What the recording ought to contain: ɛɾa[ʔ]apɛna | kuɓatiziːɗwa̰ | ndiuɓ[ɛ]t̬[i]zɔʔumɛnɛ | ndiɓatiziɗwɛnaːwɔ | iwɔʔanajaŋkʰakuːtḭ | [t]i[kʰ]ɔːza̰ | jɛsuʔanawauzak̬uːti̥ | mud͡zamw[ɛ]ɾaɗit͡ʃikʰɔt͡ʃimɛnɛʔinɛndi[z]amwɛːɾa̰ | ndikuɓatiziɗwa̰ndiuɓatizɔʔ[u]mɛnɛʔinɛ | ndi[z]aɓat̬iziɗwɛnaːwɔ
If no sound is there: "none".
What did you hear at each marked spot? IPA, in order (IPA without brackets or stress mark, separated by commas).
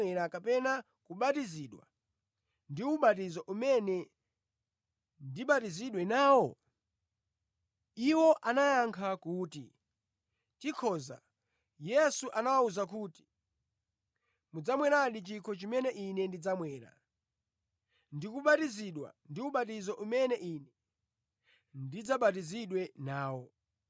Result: k, a, i, t, kʰ, ɛ, d͡z, u, d͡z